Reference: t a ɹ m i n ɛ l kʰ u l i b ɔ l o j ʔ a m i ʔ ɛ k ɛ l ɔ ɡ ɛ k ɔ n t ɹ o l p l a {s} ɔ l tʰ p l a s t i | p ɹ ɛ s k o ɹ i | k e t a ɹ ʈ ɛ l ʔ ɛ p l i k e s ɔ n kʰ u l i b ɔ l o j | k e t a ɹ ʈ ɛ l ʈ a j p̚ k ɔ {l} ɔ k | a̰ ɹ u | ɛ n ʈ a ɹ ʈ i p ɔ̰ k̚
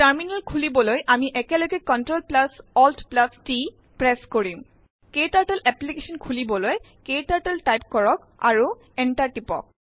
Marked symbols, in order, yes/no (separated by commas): yes, no